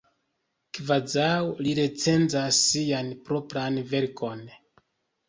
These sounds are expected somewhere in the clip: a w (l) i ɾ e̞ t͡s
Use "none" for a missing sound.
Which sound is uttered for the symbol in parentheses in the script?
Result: l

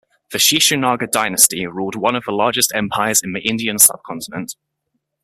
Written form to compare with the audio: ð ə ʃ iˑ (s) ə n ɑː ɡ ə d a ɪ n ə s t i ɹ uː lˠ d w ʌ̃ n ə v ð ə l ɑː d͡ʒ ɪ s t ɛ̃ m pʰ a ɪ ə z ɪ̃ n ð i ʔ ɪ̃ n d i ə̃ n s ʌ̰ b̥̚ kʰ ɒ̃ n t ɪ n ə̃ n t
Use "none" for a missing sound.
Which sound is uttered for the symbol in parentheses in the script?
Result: ʃ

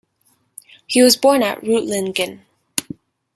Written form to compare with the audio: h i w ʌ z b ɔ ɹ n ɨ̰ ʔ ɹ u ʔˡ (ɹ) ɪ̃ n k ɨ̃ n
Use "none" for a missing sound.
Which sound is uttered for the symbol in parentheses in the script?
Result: l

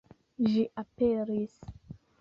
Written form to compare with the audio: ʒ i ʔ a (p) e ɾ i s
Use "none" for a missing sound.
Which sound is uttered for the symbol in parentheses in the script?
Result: p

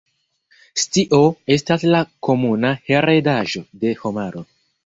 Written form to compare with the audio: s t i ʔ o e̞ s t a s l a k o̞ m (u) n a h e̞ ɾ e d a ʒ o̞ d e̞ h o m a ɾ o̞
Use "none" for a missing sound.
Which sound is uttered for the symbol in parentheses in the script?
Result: u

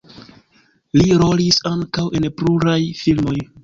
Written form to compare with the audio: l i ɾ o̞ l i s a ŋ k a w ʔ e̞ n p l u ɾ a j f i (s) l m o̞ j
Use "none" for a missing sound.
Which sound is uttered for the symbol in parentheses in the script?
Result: none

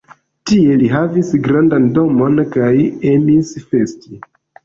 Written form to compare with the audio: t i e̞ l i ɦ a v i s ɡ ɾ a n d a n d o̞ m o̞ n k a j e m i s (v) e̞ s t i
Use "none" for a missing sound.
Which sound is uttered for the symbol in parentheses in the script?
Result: f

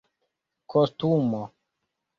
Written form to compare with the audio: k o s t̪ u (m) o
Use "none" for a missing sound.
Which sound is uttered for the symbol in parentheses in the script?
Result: m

